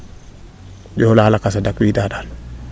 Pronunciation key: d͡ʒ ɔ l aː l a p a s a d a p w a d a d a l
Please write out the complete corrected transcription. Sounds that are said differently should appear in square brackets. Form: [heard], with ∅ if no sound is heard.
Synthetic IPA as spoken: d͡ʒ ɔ l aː l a [k] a s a d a [k] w [i] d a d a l

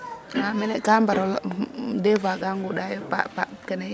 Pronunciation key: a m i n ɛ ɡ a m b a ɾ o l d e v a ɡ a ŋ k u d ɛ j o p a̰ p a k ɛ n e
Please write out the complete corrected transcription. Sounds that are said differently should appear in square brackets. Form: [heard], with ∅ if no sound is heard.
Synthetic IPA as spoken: a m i n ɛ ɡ a m b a ɾ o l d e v a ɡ a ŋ [ɡ] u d [a] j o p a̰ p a k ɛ n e

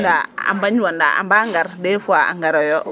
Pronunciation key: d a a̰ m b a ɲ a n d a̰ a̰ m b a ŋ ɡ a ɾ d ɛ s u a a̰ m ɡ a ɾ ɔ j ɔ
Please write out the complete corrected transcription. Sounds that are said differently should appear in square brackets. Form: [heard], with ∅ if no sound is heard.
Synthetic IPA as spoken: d a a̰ m b a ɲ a n d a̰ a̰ m b a ŋ ɡ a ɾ d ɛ [f] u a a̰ [ŋ] ɡ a ɾ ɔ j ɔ

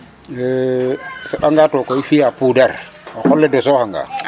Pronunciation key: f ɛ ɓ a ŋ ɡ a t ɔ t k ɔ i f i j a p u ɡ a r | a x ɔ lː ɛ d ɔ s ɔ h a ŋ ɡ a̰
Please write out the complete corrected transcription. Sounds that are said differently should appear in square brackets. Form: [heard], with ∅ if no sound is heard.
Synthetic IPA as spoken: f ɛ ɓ a ŋ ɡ a t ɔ [∅] k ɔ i f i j a p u [d] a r | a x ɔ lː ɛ d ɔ s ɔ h a ŋ ɡ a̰

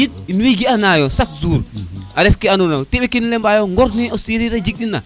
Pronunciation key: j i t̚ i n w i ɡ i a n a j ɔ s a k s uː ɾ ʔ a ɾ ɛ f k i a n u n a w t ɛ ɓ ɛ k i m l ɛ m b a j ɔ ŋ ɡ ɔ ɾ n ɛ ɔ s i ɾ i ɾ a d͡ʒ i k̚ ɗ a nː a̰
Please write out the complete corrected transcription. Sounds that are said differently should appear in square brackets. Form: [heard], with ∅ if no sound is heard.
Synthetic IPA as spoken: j i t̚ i n w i ɡ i a n a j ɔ s a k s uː ɾ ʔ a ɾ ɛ f k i a n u n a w t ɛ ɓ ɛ k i [n] l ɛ m b a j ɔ ŋ ɡ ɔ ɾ n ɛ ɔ s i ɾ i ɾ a d͡ʒ i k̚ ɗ [i] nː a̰

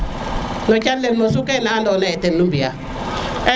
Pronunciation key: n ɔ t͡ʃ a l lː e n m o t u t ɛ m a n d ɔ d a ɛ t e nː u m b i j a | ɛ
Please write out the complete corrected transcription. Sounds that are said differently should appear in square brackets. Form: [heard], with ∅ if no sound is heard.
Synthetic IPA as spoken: n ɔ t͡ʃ a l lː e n m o [s] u [k] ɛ [n] a n d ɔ [n] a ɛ t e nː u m b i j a | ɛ

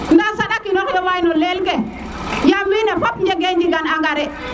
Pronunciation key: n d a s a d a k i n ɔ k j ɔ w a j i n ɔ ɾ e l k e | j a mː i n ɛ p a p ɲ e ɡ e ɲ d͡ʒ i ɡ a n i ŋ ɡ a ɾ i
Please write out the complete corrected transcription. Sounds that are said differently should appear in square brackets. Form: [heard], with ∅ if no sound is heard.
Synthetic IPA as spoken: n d a s a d a k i n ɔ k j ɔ w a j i n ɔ [l] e l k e | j a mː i n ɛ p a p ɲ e ɡ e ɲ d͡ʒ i ɡ a n [a] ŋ ɡ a ɾ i

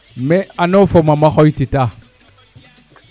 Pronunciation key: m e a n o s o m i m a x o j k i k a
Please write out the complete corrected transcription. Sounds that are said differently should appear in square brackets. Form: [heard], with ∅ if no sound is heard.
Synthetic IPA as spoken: m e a n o [f] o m [a] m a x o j [t] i [t] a

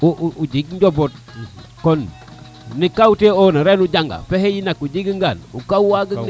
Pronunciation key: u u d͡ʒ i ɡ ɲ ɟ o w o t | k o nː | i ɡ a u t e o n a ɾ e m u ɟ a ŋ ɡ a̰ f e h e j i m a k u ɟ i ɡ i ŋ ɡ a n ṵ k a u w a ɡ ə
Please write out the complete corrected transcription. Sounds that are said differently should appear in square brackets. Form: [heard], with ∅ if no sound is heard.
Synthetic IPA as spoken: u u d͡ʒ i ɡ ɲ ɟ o [b] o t | k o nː | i [k] a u t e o n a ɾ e [n] u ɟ a ŋ ɡ a̰ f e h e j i [n] a k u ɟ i ɡ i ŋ ɡ a n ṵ k a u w a ɡ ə

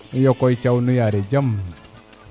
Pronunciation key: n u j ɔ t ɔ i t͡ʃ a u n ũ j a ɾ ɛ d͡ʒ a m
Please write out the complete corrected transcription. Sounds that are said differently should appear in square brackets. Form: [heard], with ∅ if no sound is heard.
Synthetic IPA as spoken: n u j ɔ [k] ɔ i t͡ʃ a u n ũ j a ɾ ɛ d͡ʒ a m

